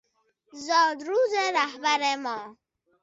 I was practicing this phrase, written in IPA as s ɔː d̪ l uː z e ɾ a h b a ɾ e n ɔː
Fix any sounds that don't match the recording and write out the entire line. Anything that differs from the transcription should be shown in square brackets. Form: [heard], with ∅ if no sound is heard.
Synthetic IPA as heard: [z] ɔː d̪ [ɾ] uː z e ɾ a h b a ɾ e [m] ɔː